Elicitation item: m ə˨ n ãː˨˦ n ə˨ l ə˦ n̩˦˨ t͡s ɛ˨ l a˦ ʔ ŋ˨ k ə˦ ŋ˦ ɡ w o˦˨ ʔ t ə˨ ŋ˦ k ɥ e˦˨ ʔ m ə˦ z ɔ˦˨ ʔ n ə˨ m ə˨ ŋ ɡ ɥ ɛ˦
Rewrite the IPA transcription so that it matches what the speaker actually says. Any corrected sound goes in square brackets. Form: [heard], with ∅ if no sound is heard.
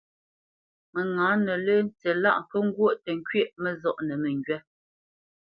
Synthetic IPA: m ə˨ [ŋ] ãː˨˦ n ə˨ l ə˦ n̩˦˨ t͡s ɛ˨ l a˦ ʔ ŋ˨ k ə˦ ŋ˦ ɡ w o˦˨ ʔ t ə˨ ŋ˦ k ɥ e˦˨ ʔ m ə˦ z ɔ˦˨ ʔ n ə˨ m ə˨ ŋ ɡ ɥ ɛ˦